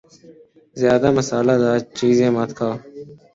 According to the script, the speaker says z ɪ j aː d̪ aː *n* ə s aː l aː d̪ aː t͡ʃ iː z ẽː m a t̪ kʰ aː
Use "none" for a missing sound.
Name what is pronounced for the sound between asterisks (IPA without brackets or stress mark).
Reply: m